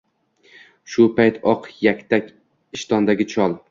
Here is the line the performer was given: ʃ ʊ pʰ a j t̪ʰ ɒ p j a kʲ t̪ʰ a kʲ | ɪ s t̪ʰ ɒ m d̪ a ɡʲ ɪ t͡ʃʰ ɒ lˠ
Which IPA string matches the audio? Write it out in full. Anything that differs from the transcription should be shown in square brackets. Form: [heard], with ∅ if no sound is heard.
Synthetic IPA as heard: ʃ ʊ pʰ a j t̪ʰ ɒ [q] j a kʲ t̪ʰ a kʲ | ɪ [ʃ] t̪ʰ ɒ [n] d̪ a ɡʲ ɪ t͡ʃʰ ɒ lˠ